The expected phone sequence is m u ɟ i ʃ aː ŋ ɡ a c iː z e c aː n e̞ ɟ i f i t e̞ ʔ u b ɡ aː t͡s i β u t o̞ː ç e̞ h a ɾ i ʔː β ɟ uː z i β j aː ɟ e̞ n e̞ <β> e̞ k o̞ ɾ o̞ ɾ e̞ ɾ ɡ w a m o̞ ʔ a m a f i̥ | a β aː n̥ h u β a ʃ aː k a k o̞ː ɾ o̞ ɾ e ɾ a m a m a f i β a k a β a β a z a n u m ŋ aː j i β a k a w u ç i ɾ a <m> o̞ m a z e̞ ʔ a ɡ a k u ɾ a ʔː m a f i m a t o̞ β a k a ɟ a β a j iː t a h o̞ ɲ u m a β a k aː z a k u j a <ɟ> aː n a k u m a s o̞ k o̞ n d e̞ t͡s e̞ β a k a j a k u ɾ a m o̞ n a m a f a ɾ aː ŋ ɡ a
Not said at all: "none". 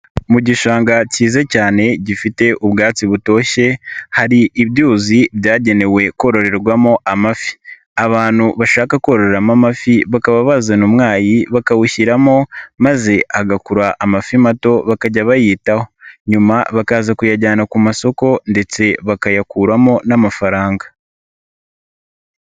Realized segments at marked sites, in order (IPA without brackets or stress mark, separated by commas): w, m, ɟ